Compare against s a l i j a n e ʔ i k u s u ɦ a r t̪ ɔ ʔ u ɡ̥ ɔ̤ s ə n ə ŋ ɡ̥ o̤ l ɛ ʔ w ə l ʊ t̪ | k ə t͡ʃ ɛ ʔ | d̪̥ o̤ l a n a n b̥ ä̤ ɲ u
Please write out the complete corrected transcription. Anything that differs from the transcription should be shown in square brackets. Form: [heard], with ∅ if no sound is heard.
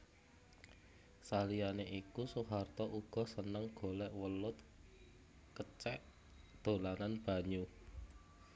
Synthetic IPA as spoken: s a l i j a n e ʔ i k u s u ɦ a r t̪ ɔ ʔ u ɡ̥ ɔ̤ s ə n ə ŋ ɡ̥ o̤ l ɛ ʔ w ə l ʊ t̪ | k ə t͡ʃ ɛ ʔ | d̪̥ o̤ l a n a n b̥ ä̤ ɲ u